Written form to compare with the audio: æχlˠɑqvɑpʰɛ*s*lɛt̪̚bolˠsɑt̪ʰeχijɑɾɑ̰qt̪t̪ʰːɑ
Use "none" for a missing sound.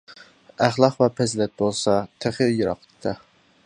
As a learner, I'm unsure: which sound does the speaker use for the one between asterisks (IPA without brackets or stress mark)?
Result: z